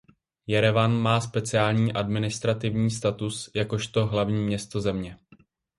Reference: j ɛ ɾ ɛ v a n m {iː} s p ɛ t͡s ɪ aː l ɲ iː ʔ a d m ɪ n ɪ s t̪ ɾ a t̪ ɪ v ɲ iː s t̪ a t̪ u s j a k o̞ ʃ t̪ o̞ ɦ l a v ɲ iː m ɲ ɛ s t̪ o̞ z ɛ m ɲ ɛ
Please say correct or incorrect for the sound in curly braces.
incorrect